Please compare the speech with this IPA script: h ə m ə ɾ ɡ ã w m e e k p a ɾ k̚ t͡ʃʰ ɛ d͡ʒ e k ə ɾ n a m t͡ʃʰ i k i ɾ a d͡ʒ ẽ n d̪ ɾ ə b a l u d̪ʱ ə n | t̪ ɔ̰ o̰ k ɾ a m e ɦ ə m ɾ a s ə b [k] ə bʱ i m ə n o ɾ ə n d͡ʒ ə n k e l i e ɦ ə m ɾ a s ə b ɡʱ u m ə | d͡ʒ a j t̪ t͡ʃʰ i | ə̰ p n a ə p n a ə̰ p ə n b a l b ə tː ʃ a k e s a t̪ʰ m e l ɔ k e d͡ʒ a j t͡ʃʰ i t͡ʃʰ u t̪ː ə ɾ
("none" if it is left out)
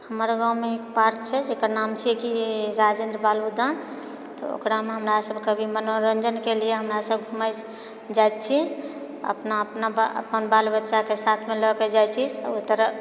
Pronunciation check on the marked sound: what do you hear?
k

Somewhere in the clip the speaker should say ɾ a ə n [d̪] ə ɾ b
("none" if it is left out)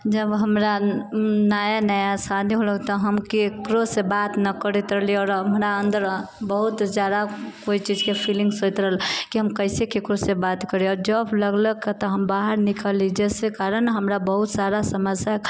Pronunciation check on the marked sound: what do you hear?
d̪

